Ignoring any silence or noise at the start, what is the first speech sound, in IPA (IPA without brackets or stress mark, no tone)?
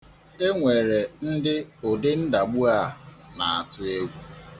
e